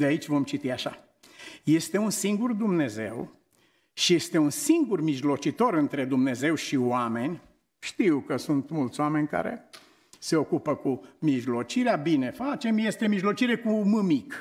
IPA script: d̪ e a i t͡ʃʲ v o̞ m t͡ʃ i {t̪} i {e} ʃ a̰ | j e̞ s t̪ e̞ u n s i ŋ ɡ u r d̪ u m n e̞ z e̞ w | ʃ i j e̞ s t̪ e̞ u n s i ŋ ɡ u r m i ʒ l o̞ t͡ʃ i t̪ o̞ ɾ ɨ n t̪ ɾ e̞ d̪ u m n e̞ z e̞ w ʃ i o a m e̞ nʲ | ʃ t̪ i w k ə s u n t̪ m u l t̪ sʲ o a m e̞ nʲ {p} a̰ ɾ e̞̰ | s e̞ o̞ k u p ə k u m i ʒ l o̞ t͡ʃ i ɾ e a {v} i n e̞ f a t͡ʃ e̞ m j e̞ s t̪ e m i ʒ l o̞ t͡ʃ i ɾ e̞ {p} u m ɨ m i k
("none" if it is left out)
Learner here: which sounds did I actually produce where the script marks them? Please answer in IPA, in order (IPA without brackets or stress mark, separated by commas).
t̪, a, k, b, k